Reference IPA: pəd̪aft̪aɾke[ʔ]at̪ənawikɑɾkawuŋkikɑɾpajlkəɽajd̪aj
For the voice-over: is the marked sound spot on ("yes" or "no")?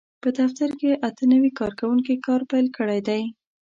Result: yes